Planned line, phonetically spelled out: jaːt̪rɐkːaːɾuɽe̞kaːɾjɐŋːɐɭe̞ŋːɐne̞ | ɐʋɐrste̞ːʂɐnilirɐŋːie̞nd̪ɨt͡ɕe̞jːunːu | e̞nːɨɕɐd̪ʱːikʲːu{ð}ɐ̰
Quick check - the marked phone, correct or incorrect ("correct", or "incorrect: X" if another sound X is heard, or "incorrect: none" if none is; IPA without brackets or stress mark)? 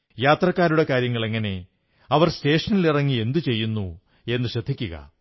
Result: incorrect: ɣ